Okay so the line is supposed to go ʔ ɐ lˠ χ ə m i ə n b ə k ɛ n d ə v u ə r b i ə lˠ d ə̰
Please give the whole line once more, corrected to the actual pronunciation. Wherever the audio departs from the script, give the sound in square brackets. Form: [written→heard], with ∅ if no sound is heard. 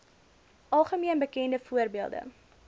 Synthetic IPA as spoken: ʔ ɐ lˠ χ ə m i ə n b ə k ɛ n d ə [v→f] u ə r b i ə lˠ d ə̰